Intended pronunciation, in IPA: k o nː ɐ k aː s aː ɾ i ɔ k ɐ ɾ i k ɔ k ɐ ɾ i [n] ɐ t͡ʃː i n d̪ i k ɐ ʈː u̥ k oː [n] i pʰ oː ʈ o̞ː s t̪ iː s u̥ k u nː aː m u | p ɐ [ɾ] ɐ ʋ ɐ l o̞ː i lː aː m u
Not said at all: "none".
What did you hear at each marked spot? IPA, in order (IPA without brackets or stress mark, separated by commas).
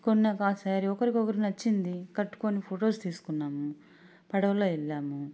n, n, ɽ